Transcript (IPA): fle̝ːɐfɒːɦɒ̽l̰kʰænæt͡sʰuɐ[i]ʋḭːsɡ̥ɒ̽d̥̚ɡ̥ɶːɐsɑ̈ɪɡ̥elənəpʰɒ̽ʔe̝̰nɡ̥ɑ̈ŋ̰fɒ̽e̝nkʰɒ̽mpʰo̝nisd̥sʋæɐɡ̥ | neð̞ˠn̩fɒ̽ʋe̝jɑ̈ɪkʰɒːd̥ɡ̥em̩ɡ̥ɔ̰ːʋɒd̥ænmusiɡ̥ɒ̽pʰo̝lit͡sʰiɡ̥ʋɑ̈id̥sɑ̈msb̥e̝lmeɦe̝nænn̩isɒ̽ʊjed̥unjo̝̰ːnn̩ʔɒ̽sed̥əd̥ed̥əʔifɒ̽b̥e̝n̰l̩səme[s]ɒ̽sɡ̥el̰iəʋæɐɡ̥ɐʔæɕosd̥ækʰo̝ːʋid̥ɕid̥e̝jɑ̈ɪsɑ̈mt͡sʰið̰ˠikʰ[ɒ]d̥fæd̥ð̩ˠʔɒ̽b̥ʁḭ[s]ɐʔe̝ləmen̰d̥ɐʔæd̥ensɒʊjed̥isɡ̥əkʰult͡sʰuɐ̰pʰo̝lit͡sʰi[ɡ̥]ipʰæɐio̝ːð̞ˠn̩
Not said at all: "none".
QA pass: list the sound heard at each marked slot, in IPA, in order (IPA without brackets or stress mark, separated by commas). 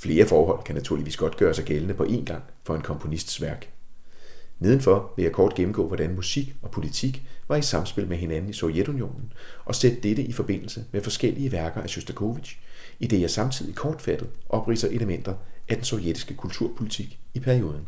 i, f, ɒː, s, ɡ̥